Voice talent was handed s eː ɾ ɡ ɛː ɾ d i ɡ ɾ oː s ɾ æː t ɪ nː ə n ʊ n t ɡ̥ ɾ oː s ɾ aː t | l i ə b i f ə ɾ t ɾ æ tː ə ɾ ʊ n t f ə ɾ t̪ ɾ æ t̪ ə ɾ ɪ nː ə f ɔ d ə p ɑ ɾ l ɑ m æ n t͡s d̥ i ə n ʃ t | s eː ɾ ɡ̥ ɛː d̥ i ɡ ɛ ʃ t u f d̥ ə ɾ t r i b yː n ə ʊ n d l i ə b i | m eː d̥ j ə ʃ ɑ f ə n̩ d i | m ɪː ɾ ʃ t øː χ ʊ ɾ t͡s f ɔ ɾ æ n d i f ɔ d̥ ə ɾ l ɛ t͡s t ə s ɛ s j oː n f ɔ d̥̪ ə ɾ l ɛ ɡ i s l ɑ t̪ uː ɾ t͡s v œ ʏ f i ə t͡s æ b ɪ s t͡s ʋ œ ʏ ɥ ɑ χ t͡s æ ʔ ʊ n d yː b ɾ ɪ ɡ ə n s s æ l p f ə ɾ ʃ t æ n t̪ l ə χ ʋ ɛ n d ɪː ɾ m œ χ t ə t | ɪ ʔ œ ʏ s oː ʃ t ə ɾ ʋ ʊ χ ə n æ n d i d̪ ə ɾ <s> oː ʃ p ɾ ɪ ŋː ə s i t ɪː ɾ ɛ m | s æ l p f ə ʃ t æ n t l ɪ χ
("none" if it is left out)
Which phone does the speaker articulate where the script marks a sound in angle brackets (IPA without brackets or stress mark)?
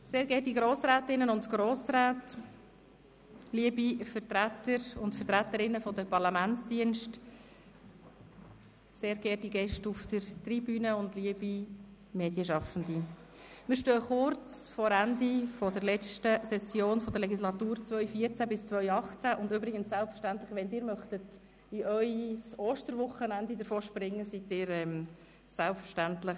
f